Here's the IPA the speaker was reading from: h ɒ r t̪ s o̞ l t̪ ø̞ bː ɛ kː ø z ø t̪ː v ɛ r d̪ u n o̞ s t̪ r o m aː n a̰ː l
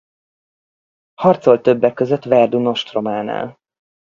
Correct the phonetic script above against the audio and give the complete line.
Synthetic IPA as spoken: h ɒ r t̪ s o̞ l t̪ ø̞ bː ɛ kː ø z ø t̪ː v ɛ r d̪ u n o̞ ʃ t̪ r o m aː n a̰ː l